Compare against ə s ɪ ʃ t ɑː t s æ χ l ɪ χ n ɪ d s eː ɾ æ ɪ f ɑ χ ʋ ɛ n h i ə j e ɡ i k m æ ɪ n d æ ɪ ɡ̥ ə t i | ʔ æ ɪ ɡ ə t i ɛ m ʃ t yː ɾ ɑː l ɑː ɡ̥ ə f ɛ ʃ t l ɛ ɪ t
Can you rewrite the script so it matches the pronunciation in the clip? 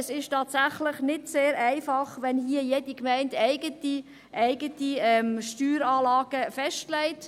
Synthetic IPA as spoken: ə s ɪ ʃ t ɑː t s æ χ l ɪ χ n ɪ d s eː ɾ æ ɪ f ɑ χ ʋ ɛ n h i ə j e d i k m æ ɪ n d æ ɪ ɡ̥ ə t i | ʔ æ ɪ ɡ ə t i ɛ m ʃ t yː ɾ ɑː l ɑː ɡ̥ ə f ɛ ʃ t l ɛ ɪ t